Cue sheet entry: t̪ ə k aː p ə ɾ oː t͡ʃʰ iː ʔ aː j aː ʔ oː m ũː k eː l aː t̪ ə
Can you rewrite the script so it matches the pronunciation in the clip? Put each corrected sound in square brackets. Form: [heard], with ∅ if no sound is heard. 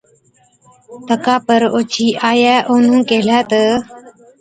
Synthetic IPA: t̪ ə k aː p ə ɾ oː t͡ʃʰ iː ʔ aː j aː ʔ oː [n] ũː k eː l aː t̪ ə